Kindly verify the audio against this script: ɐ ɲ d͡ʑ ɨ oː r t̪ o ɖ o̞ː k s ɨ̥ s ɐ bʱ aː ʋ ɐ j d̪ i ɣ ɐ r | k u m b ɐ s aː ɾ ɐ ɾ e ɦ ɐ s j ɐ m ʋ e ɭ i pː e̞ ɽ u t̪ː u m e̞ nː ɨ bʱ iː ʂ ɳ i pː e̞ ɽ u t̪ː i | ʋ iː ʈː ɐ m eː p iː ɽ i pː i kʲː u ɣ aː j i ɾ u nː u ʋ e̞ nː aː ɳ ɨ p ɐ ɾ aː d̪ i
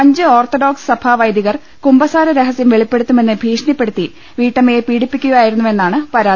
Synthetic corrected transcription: ɐ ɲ d͡ʑ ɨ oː r t̪ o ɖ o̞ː k s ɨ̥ s ɐ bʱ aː ʋ ɐ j d̪ i ɣ ɐ r | k u m b ɐ s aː ɾ ɐ ɾ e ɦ ɐ s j ɐ m ʋ e ɭ i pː e̞ ɽ u t̪ː u m e̞ nː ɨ bʱ iː ʂ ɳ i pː e̞ ɽ u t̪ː i | ʋ iː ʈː ɐ m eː p iː ɽ i pː i kʲː u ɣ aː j i ɾ u nː u ʋ e̞ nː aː ɳ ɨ p ɐ ɾ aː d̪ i